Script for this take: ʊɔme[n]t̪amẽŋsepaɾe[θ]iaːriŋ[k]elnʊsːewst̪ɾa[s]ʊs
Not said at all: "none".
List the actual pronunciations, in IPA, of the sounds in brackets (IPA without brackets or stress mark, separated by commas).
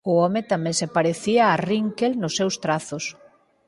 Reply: none, θ, k, θ